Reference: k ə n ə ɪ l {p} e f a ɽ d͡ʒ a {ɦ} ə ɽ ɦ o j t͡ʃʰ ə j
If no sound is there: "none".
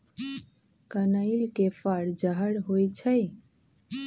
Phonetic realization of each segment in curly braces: k, ɦ

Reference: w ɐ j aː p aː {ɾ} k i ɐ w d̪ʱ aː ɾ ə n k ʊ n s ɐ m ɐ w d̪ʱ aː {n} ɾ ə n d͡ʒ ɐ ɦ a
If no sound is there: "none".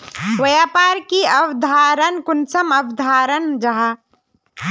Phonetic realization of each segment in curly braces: ɾ, none

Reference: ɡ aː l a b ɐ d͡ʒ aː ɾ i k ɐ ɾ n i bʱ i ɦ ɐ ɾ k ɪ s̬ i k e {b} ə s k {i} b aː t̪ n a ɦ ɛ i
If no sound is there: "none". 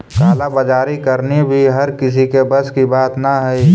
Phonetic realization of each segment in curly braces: b, i

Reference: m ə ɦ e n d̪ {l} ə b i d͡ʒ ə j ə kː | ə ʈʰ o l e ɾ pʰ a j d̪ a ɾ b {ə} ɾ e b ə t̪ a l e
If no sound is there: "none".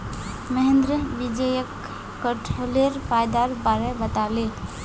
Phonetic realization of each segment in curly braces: ɾ, a

